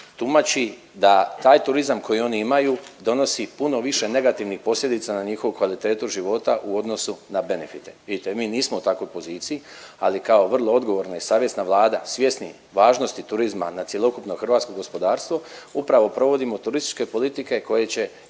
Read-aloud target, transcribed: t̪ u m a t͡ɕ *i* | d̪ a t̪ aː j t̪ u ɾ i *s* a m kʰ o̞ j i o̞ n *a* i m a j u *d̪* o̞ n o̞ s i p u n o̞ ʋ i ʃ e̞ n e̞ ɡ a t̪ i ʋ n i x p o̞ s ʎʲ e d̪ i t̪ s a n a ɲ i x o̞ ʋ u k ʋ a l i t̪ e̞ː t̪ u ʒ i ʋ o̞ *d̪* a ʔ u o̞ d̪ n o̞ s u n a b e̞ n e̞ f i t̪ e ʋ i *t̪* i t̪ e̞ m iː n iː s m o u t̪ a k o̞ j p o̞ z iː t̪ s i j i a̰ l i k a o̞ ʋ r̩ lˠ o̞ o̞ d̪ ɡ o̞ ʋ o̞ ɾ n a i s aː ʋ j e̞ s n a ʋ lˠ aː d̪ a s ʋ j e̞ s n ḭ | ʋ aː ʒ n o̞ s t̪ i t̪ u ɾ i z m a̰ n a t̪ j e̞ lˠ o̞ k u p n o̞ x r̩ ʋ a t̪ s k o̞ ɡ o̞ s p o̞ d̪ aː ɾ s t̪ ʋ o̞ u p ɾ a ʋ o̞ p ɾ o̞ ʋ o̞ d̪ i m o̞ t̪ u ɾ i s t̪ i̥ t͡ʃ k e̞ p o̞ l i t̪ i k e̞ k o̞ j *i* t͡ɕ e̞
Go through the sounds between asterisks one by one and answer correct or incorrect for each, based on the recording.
correct, incorrect, incorrect, correct, incorrect, incorrect, incorrect

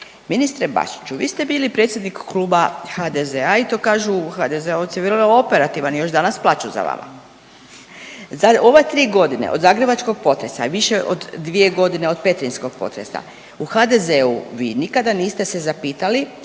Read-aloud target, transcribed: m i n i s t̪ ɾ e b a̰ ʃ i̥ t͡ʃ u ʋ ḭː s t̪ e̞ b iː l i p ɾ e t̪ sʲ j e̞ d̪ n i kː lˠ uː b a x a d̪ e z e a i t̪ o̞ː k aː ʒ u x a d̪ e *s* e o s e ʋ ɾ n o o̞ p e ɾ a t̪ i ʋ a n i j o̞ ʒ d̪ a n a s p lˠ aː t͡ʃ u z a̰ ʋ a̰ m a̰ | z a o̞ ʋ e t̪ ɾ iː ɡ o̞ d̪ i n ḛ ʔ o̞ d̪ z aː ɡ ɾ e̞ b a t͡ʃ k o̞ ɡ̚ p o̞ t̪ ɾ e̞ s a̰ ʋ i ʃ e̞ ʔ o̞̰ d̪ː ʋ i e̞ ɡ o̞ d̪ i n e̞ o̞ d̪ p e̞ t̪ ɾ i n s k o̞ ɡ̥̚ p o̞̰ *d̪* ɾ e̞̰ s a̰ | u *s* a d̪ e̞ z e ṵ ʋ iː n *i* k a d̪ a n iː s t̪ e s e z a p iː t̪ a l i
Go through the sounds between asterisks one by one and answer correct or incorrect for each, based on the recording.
incorrect, incorrect, incorrect, correct

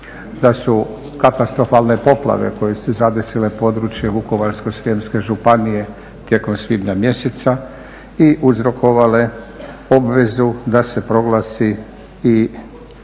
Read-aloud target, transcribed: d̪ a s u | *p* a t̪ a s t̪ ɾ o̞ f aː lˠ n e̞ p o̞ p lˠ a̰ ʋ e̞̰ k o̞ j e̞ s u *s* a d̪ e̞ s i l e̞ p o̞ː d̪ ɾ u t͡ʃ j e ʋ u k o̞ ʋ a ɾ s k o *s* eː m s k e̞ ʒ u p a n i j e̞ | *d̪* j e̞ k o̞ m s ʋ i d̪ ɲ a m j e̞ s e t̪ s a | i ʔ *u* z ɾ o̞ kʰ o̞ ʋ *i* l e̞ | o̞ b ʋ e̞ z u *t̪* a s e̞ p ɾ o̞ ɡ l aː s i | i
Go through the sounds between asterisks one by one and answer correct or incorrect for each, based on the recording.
incorrect, incorrect, correct, incorrect, correct, incorrect, incorrect

